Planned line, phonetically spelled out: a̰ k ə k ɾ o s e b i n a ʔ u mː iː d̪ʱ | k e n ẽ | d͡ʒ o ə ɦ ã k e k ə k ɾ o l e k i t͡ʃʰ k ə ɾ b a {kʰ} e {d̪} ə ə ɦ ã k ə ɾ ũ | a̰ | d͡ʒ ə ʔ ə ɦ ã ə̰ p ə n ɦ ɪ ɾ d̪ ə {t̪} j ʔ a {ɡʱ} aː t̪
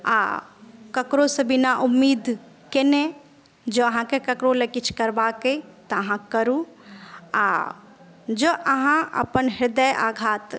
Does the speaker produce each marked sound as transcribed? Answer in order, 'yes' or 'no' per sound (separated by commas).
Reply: no, no, no, yes